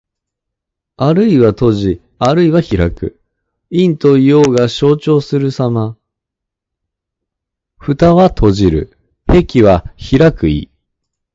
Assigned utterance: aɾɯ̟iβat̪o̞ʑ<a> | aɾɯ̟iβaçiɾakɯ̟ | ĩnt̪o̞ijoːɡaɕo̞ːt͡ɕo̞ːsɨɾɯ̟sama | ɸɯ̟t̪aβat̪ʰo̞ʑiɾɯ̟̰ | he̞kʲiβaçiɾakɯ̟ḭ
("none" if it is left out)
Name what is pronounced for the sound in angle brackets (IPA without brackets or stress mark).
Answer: i